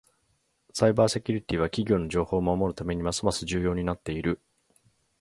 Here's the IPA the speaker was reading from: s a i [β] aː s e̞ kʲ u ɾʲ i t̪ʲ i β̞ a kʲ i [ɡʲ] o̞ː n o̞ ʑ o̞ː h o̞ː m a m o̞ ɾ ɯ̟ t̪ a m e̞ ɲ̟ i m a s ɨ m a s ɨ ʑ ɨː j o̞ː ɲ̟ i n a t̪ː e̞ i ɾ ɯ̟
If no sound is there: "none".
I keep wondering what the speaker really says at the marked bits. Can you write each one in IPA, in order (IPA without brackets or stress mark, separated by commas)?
b, ɡʲ